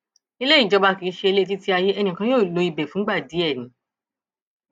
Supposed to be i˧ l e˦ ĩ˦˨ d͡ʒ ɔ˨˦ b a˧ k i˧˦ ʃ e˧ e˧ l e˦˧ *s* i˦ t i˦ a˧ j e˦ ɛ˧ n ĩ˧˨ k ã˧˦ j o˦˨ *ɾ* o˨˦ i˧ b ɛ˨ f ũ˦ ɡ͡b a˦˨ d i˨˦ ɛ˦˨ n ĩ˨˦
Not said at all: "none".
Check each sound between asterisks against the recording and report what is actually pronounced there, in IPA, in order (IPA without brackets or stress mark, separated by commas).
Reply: t, l